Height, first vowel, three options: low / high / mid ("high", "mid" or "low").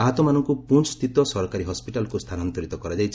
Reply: low